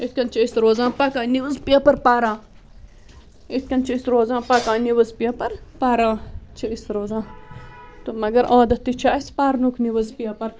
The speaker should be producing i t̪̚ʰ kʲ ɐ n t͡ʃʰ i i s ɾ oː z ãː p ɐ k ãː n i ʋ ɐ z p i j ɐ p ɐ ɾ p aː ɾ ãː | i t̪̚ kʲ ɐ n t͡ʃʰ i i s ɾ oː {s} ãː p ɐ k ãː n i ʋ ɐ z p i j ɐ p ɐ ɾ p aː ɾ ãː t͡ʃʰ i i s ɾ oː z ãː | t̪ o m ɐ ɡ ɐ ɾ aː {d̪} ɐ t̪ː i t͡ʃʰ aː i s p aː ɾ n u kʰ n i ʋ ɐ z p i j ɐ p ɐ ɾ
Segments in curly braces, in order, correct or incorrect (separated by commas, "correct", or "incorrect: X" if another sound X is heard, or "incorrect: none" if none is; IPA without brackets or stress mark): incorrect: z, correct